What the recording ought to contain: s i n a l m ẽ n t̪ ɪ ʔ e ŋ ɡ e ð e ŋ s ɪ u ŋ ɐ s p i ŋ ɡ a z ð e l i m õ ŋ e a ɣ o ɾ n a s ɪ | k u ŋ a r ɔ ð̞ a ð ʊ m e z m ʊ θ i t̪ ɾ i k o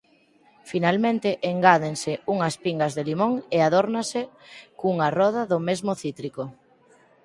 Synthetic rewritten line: f i n a l m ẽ n t̪ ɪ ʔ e ŋ ɡ a ð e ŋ s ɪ u ŋ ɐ s p i ŋ ɡ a z ð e l i m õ ŋ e a ð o ɾ n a s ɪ | k u ŋ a r ɔ ð̞ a ð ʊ m e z m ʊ θ i t̪ ɾ i k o